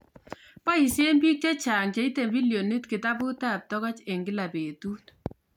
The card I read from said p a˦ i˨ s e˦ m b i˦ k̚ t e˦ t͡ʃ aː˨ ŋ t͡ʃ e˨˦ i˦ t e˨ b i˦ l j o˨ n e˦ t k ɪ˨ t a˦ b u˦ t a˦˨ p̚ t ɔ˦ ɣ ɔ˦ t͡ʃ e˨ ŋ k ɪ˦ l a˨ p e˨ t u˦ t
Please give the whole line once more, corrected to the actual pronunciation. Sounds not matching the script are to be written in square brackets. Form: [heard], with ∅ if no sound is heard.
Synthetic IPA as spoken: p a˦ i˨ s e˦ m b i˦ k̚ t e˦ t͡ʃ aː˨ ŋ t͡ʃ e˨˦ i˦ t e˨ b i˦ l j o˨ n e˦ t k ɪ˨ t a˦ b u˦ t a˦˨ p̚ t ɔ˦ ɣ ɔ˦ t͡ʃ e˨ ŋ [ɡ] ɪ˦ l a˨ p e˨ t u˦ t